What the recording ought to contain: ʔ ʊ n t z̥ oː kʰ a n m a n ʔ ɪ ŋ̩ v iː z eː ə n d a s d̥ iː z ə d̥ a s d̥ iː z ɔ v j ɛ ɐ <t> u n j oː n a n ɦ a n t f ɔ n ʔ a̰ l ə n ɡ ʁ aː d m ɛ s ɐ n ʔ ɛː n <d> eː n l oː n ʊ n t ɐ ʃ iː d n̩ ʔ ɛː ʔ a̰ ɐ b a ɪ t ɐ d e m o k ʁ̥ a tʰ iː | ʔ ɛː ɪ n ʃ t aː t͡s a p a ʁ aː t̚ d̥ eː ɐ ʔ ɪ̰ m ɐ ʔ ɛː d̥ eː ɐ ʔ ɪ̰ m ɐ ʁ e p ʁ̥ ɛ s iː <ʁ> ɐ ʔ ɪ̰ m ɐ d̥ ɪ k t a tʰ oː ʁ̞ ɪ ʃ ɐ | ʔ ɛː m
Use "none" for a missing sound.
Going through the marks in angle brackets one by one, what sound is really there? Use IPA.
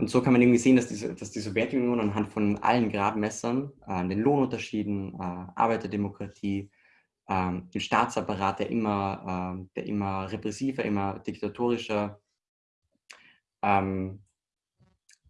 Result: t, d, v

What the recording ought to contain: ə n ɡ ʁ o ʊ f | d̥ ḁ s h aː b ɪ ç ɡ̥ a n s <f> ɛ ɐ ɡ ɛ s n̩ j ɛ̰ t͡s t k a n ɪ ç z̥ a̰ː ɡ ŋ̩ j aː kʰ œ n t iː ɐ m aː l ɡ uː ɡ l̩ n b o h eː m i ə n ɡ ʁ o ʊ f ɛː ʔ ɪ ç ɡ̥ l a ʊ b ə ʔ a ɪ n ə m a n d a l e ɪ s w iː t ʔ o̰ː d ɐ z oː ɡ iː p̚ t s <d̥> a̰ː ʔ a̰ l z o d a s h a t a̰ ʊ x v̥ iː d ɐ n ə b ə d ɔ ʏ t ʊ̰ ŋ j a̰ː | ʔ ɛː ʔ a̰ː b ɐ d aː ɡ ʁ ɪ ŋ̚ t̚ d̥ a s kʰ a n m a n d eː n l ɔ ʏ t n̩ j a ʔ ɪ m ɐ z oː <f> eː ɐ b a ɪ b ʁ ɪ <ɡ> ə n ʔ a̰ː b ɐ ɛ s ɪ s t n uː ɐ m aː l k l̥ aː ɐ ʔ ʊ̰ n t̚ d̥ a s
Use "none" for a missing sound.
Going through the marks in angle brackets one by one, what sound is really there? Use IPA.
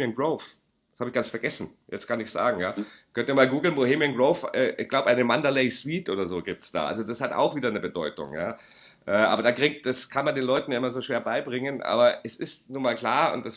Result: f, d̥, ʃ, ŋ

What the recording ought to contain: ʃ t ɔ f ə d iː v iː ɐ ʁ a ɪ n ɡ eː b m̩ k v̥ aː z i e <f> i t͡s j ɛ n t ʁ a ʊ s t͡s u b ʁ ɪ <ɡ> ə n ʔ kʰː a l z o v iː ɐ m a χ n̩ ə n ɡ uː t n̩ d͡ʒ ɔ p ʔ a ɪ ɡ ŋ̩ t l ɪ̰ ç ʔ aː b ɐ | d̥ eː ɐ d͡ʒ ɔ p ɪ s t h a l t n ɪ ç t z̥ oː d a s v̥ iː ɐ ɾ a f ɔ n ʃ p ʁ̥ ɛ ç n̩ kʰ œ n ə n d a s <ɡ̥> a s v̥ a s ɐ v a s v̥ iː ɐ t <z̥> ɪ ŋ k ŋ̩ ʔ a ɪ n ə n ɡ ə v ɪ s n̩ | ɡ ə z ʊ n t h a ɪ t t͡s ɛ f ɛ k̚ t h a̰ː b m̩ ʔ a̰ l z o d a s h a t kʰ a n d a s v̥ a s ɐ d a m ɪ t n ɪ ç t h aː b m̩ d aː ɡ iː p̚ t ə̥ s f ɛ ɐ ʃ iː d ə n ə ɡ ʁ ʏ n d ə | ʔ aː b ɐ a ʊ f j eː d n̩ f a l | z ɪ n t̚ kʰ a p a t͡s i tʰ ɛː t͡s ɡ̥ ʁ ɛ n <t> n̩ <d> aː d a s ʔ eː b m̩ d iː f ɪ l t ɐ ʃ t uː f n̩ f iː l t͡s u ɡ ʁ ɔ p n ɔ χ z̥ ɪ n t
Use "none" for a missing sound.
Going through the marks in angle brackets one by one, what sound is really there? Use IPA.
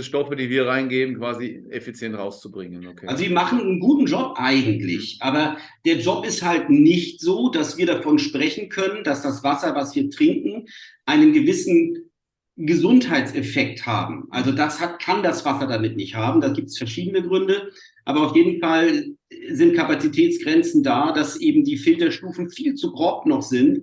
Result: f, ŋ, d̥, ʁ̥, t͡s, d

